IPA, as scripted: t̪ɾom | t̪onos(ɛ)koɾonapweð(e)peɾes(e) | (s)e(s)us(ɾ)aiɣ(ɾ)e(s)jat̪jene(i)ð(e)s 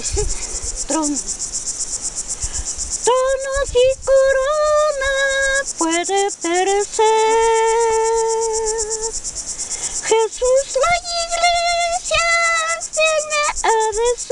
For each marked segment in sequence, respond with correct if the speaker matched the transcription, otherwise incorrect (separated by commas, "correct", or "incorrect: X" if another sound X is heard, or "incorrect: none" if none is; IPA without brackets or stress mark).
incorrect: i, correct, correct, incorrect: x, correct, incorrect: l, incorrect: l, correct, incorrect: a, correct